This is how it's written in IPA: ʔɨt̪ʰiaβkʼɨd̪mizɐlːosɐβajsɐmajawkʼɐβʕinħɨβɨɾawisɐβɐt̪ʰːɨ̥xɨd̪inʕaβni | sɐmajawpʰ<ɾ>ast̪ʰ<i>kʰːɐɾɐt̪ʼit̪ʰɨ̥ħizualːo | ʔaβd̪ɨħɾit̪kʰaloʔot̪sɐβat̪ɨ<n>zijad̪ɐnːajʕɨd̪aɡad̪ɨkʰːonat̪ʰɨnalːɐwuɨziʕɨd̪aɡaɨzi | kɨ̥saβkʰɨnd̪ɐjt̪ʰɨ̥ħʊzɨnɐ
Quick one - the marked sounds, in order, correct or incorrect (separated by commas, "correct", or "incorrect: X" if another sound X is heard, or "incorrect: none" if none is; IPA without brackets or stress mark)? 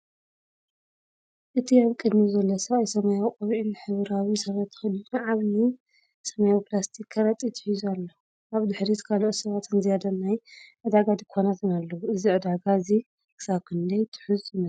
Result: incorrect: l, correct, correct